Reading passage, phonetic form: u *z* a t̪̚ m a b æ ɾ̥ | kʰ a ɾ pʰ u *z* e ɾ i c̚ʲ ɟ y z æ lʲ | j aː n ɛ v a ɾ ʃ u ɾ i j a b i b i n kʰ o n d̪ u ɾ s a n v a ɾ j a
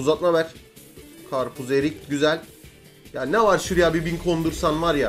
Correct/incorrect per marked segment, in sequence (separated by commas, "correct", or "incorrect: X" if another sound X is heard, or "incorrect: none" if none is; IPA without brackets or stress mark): correct, correct